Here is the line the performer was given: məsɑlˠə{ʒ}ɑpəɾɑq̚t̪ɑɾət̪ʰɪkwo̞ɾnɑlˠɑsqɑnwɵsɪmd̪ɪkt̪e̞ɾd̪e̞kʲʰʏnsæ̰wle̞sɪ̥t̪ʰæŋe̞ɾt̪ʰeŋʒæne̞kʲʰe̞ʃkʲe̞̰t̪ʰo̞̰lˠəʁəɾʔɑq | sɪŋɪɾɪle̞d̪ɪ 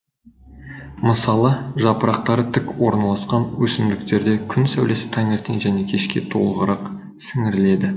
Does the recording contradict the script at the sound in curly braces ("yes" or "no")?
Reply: no